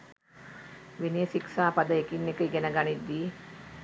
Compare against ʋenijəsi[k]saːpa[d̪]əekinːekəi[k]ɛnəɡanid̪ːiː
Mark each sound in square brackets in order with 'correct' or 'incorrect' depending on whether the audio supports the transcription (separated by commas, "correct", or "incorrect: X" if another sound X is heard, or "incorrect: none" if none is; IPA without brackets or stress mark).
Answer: correct, correct, incorrect: ɡ